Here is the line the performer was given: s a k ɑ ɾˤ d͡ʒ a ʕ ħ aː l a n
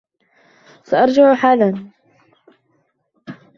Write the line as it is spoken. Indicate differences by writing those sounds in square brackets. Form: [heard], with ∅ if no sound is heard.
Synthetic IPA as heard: s a [ʔ] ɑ ɾˤ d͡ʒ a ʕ ħ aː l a n